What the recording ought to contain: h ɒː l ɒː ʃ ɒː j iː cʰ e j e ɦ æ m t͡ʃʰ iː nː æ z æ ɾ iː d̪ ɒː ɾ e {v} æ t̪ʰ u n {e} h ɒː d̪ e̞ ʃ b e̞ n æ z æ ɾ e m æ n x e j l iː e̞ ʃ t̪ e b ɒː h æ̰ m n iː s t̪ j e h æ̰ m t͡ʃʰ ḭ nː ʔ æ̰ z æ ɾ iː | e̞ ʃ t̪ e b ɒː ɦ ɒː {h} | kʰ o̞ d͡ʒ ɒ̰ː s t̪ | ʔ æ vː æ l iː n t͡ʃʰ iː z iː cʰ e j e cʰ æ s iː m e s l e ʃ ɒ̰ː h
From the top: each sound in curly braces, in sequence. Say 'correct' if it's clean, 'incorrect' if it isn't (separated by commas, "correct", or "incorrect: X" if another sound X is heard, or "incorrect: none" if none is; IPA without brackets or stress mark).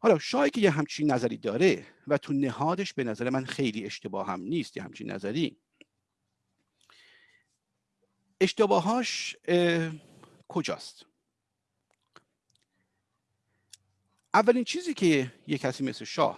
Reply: correct, correct, incorrect: ʃ